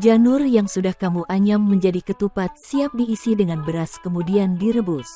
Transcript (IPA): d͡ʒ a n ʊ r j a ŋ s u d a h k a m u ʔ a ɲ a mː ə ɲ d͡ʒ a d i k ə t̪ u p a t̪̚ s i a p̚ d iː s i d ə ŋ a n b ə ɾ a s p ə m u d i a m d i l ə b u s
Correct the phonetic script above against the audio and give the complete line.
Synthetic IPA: d͡ʒ a n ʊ r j a ŋ s u d a h k a m u ʔ a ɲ a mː ə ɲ d͡ʒ a d i k ə t̪ u p a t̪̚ s i a p̚ d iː s i d ə ŋ a n b ə ɾ a s k ə m u d i a n d i ɾ ə b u s